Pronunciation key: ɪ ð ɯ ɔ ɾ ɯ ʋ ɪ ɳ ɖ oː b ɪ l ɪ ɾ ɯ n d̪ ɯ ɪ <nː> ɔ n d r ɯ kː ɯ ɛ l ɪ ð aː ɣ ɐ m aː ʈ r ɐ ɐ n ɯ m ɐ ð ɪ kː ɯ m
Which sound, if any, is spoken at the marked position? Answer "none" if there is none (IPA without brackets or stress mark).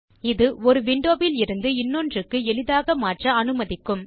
nː